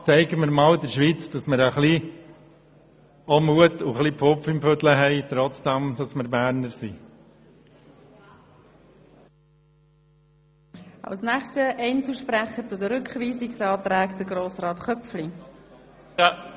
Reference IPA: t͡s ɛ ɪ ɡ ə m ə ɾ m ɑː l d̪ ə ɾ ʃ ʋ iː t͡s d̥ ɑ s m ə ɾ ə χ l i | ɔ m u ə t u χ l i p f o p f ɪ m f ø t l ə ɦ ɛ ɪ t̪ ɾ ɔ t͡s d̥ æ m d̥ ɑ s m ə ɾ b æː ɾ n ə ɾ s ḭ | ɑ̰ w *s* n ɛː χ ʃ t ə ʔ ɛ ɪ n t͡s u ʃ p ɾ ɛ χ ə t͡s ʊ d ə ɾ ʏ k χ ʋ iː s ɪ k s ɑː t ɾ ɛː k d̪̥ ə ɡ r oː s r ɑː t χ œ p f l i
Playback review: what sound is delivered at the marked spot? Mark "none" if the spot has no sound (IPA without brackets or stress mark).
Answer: s